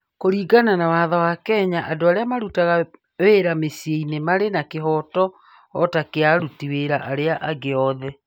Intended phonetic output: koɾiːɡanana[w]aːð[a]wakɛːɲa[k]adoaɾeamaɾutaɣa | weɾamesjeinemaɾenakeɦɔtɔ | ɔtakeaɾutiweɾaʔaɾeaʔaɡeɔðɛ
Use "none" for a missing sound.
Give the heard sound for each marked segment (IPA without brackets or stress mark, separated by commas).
w, a, ʔ